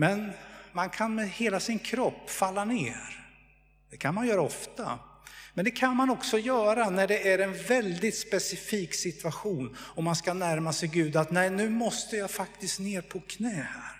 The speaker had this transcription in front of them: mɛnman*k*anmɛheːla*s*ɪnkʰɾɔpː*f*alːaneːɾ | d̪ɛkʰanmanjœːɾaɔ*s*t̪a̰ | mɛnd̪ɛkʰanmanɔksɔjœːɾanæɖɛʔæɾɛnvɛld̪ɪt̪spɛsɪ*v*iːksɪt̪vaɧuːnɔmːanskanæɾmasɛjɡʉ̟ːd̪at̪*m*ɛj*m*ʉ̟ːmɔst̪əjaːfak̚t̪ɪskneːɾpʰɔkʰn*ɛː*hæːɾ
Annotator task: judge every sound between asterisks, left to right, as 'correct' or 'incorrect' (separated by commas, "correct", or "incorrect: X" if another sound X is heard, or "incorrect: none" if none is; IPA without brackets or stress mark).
incorrect: kʰ, correct, correct, incorrect: f, incorrect: f, incorrect: n, incorrect: n, correct